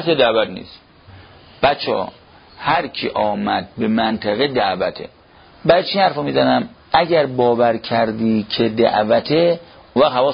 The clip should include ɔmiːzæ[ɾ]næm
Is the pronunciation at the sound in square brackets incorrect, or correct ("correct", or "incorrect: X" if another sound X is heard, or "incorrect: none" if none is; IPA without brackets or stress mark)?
incorrect: none